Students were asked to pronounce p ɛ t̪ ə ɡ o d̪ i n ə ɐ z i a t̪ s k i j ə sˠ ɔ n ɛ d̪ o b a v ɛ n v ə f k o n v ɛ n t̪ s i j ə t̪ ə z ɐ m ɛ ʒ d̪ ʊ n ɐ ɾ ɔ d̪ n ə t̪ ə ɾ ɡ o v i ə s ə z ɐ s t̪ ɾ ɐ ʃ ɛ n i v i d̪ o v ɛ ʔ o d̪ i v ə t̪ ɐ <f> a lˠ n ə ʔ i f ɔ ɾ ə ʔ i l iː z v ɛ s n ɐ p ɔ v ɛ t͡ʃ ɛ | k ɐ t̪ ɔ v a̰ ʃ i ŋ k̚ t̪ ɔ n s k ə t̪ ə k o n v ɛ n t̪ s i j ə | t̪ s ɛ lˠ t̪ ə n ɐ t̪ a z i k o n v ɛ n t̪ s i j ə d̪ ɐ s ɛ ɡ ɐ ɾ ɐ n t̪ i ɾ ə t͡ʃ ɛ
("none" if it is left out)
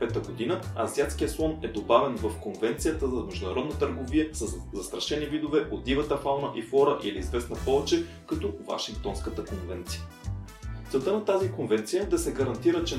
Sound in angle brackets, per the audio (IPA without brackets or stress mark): f